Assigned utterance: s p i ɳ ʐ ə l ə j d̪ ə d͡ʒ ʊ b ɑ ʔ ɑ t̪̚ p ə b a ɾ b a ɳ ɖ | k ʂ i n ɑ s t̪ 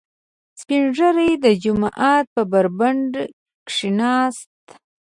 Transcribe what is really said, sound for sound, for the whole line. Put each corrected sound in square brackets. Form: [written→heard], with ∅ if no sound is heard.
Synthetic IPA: s p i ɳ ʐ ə [l→ɾ] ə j d̪ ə d͡ʒ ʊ [b→m] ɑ ʔ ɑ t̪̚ p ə b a ɾ b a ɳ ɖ | k ʂ i n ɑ s t̪

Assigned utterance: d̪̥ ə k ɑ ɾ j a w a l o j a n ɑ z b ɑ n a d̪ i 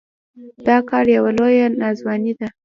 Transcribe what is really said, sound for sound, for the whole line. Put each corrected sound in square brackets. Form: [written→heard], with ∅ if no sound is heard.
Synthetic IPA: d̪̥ [ə→ɑ] k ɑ ɾ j a w a l o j a n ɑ z [b→w] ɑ n [a→i] d̪ [i→a]

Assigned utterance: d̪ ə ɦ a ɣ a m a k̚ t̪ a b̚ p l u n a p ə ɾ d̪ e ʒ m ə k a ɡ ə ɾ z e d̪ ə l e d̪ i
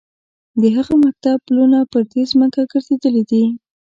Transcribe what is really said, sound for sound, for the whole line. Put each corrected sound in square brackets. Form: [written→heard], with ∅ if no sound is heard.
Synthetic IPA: d̪ ə ɦ a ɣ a m a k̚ t̪ a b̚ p l u n a p ə ɾ d̪ e [ʒ→z] m ə k a ɡ ə ɾ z e d̪ ə l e d̪ i

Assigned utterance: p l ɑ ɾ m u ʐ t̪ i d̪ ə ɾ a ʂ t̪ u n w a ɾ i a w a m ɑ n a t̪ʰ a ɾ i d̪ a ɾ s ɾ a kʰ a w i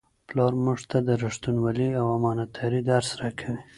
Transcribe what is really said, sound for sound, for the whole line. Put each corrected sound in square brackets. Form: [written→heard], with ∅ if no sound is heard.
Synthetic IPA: p l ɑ ɾ m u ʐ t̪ [i→a] d̪ ə ɾ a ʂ t̪ u n w a [ɾ→l] i a w a m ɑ n a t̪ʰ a ɾ i d̪ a ɾ s ɾ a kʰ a w i

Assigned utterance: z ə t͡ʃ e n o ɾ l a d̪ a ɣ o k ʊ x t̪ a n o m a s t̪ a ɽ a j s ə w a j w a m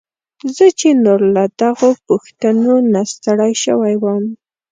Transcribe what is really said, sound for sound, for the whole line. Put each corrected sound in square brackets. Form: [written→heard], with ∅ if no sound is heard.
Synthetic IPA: z ə t͡ʃ e n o ɾ l a d̪ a ɣ o [k→p] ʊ x t̪ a n o [m→n] a s t̪ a ɽ a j [s→ʃ] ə w a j w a m

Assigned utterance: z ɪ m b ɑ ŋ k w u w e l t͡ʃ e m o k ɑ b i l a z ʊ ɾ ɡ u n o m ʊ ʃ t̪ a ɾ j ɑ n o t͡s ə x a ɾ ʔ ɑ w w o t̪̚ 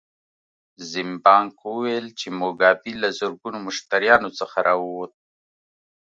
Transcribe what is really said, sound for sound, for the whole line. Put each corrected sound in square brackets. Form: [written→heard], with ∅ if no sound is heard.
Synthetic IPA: z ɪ m b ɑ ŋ k w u w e l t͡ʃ e m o [k→ɡ] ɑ b i l a z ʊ ɾ ɡ u n o m ʊ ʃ t̪ a ɾ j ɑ n o t͡s ə x a ɾ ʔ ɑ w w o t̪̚

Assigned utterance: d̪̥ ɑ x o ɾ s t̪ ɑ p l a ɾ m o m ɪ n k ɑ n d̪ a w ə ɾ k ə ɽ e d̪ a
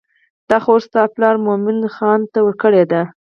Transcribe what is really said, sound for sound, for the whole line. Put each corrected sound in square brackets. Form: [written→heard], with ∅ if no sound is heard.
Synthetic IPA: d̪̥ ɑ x o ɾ s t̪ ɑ p l [a→ɑ] ɾ m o m ɪ n [k→x] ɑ n [d̪→t̪] a w ə ɾ k ə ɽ e d̪ a

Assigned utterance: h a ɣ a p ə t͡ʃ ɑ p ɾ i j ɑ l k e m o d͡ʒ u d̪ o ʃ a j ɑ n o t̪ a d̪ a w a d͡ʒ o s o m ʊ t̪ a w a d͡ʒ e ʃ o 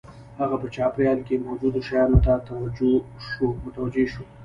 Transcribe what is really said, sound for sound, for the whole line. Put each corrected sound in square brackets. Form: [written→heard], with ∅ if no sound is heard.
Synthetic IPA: h a ɣ a p ə t͡ʃ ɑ p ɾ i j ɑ l k e m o d͡ʒ u d̪ o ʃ a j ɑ n o t̪ a [d̪→t̪] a w a d͡ʒ o [s→ʃ] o m ʊ t̪ a w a d͡ʒ e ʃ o

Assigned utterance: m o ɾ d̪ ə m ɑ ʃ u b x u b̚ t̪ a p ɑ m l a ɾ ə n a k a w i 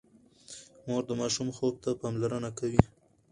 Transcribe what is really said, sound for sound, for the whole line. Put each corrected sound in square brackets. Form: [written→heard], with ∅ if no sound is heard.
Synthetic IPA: m o ɾ d̪ ə m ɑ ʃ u [b→m] x [u→o] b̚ t̪ a p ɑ m l a ɾ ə n a k a w i

